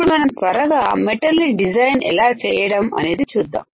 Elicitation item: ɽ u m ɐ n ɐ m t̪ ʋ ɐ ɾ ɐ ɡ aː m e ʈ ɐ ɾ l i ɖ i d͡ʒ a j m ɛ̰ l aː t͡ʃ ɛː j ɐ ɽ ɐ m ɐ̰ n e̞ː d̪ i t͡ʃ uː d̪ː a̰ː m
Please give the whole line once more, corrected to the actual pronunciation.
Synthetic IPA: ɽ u m ɐ n ɐ m t̪ ʋ ɐ ɾ ɐ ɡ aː m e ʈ ɐ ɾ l i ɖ i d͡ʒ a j n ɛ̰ l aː t͡ʃ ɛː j ɐ ɽ ɐ m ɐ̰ n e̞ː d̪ i t͡ʃ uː d̪ː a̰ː m

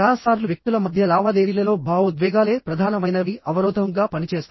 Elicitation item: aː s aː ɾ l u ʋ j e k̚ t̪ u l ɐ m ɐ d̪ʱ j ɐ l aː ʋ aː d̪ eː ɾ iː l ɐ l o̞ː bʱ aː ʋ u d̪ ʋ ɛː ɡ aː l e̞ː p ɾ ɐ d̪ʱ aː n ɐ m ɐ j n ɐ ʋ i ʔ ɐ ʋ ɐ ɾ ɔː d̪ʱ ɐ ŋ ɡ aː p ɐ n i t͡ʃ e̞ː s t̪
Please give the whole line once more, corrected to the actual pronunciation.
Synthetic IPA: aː s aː ɾ l u ʋ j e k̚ t̪ u l ɐ m ɐ d̪ʱ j ɐ l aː ʋ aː d̪ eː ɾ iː l ɐ l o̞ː bʱ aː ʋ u d̪ ʋ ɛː ɡ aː l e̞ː p ɾ ɐ d̪ʱ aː n ɐ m ɐ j n ɐ ʋ i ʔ ɐ ʋ ɐ ɾ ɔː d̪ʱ ɐ ŋ ɡ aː p ɐ n i t͡ʃ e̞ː s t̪

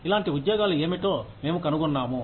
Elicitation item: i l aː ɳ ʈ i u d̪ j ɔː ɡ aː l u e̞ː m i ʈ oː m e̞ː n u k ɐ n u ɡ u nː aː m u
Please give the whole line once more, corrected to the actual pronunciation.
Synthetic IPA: i l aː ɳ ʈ i u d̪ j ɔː ɡ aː l u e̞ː m i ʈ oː m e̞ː m u k ɐ n u ɡ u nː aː m u

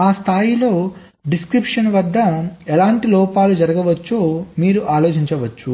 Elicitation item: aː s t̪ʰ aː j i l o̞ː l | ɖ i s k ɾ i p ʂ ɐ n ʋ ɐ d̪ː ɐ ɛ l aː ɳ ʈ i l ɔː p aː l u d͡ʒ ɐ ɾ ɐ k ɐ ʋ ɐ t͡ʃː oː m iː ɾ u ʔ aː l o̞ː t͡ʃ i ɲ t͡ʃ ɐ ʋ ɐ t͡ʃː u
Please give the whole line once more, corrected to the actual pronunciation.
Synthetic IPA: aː s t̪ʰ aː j i l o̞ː | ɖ i s k ɾ i p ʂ ɐ n ʋ ɐ d̪ː ɐ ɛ l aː ɳ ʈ i l ɔː p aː l u d͡ʒ ɐ ɾ ɐ ɡ ɐ ʋ ɐ t͡ʃː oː m iː ɾ u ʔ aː l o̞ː t͡ʃ i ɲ t͡ʃ ɐ ʋ ɐ t͡ʃː u

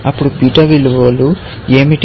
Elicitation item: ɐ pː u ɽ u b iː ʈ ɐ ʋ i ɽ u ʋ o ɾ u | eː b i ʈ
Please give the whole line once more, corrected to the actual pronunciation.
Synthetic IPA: ɐ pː u ɽ u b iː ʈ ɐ ʋ i l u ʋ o l u | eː m i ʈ

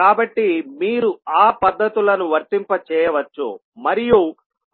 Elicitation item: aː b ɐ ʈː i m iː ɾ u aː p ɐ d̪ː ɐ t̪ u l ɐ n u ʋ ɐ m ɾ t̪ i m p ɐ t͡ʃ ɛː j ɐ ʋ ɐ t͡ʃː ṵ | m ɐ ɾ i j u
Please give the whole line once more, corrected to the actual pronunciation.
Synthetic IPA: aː b ɐ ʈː i m iː ɾ u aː p ɐ d̪ː ɐ t̪ u l ɐ n u ʋ ɐ ɾ t̪ i m p ɐ t͡ʃ ɛː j ɐ ʋ ɐ t͡ʃː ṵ | m ɐ ɾ i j u

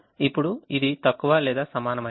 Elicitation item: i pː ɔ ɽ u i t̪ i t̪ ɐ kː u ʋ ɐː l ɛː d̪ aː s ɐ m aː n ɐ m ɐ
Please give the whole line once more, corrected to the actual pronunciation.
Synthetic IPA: i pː u ɽ u i d̪ i t̪ ɐ kː u ʋ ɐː l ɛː d̪ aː s ɐ m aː n ɐ m ɐ

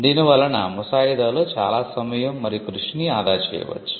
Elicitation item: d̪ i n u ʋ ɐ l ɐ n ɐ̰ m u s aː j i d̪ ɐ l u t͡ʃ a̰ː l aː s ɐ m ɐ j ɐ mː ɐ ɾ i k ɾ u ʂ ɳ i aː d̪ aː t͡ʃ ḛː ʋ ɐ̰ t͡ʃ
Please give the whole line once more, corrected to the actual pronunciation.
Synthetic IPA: d̪ i n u ʋ ɐ l ɐ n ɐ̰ m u s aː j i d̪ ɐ l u t͡ʃ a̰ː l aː s ɐ m ɐ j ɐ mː ɐ ɾ i k ɾ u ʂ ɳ i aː d̪ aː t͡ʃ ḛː ʋ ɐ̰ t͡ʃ

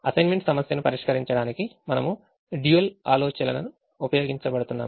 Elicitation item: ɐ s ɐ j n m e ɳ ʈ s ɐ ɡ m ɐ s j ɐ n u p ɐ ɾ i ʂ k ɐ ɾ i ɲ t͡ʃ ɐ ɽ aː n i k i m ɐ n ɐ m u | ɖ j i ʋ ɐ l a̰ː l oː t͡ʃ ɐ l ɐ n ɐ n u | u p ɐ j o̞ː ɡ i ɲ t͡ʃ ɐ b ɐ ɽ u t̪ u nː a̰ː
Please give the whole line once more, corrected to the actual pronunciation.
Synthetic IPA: ɐ s ɐ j n m e ɳ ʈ s ɐ m ɐ s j ɐ n u p ɐ ɾ i ʂ k ɐ ɾ i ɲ t͡ʃ ɐ ɽ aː n i k i m ɐ n ɐ m u | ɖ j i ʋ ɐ l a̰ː l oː t͡ʃ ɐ l ɐ n ɐ n u | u p ɐ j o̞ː ɡ i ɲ t͡ʃ ɐ b ɐ ɽ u t̪ u nː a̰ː

